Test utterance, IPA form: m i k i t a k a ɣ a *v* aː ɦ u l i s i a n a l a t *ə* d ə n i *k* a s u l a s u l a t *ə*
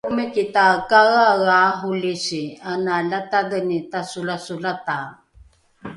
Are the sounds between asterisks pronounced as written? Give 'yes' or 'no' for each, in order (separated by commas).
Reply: no, no, no, no